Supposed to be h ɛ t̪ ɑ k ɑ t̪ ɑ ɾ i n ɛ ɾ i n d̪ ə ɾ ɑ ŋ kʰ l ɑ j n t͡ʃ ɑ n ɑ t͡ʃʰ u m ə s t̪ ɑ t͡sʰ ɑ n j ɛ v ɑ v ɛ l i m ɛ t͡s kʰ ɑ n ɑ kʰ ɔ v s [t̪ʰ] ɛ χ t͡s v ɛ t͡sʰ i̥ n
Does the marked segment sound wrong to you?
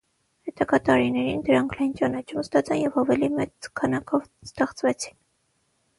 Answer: yes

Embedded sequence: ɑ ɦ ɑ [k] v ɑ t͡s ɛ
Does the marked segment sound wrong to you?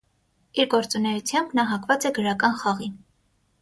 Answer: no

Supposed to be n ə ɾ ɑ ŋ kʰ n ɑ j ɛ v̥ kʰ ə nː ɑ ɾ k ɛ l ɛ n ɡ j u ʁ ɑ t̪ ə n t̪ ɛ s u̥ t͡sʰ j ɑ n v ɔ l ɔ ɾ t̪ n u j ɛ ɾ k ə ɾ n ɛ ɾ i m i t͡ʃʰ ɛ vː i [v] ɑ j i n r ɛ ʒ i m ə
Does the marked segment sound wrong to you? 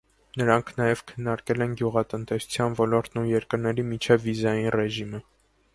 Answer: yes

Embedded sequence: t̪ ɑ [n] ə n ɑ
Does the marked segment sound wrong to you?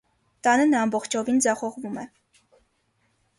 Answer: no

